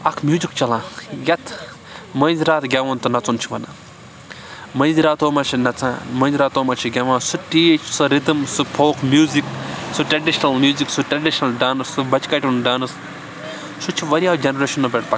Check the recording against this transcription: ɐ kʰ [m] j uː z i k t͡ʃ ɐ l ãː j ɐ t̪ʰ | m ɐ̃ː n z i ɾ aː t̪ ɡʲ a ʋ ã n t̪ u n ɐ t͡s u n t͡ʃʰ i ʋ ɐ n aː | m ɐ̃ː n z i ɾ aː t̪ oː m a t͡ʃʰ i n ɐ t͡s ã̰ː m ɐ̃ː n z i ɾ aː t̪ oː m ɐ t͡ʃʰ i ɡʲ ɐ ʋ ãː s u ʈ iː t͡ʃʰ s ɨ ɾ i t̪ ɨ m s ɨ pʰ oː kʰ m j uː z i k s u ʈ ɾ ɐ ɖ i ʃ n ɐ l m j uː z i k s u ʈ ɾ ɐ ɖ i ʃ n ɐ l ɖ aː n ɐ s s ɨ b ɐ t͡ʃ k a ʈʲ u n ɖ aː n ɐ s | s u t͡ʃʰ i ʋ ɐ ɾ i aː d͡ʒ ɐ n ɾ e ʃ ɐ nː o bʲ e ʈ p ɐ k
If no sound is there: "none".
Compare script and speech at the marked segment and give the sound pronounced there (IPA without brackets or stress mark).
m